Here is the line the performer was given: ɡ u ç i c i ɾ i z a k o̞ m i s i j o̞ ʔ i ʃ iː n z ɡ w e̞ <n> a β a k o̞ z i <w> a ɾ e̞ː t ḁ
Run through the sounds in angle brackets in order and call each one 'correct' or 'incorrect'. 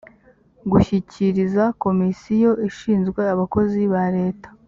incorrect, incorrect

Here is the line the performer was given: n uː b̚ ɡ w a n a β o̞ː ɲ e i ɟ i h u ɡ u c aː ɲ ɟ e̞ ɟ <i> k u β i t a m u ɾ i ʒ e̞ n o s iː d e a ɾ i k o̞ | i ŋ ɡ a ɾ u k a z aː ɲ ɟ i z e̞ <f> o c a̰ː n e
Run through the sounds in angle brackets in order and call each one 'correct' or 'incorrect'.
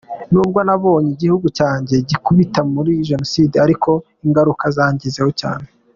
correct, incorrect

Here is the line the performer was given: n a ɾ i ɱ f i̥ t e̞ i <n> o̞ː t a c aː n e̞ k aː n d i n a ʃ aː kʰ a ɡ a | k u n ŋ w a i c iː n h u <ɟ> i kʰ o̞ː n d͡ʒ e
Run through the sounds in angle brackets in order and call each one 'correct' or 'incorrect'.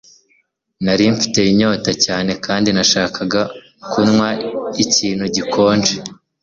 incorrect, correct

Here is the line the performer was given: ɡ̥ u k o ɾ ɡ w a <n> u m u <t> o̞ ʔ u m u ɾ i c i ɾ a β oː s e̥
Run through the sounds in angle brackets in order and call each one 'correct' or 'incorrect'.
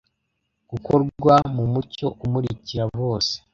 incorrect, incorrect

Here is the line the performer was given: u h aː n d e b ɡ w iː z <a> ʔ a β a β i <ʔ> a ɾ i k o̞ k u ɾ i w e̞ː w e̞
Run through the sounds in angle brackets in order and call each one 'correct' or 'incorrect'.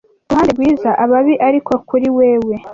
correct, correct

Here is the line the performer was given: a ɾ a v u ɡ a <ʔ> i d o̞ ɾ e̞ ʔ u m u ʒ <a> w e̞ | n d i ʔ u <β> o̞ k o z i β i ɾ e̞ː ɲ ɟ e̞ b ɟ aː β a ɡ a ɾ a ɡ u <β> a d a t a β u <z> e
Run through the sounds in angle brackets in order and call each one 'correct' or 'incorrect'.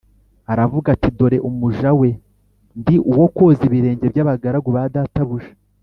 incorrect, correct, incorrect, correct, incorrect

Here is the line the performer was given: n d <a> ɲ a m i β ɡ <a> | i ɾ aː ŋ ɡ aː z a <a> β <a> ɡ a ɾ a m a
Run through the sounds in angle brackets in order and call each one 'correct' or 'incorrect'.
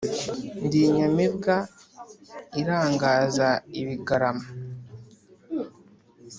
incorrect, correct, incorrect, incorrect

